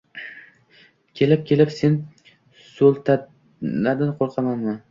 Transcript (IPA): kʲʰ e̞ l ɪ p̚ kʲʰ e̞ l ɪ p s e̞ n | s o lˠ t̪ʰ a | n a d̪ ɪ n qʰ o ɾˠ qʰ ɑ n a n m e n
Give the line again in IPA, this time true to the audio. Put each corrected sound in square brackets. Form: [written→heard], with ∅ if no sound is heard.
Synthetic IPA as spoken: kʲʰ e̞ l ɪ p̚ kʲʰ e̞ l ɪ p s e̞ n | s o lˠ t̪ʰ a | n a d̪ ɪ n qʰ o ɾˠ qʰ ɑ [n→m] a n m [e→a] n